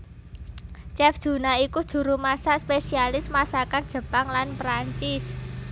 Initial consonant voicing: voiceless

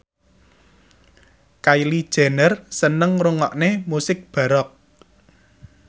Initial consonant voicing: voiceless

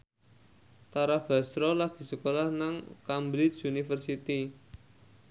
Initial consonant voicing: voiceless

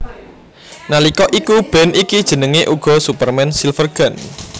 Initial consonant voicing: voiced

